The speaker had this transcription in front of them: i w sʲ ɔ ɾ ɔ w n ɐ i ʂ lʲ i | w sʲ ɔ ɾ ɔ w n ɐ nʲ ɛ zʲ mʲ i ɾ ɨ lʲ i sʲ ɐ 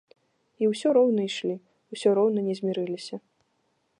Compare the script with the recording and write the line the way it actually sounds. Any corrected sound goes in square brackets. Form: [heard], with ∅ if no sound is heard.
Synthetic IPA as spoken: i w sʲ ɔ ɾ ɔ w n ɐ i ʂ lʲ i | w sʲ ɔ ɾ ɔ w n ɐ nʲ ɛ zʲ mʲ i ɾ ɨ lʲ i sʲ ɐ